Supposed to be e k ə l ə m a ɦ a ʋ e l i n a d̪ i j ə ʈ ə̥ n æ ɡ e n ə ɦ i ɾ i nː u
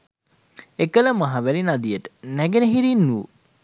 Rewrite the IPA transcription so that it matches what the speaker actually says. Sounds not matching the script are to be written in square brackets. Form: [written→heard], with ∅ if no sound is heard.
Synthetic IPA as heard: e k ə l ə m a ɦ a ʋ [e→æ] l i n a d̪ i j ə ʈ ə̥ n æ ɡ e n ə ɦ i ɾ i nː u